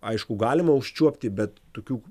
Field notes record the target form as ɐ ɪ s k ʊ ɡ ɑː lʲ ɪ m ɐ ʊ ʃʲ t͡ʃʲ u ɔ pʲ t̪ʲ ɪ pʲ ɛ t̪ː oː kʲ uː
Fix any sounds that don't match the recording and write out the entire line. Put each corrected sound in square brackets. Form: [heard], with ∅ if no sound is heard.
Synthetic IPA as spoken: ɐ ɪ [ʃ] k ʊ ɡ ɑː lʲ ɪ m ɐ ʊ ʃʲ t͡ʃʲ u ɔ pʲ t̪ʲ ɪ [bʲ] ɛ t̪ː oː kʲ uː